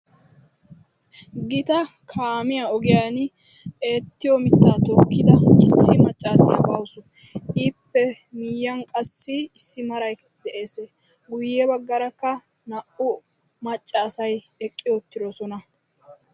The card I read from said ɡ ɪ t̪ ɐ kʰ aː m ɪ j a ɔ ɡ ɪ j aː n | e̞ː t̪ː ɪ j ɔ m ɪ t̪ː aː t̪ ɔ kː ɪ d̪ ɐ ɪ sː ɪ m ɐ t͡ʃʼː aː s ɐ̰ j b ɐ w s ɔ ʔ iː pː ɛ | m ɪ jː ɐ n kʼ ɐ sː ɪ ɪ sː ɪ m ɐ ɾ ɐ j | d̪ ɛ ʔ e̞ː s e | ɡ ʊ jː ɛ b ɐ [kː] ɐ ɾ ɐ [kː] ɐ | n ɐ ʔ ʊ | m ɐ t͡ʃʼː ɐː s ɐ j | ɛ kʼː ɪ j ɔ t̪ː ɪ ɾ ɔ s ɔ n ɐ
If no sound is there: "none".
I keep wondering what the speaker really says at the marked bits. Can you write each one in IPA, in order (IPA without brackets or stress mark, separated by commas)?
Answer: ɡː, kː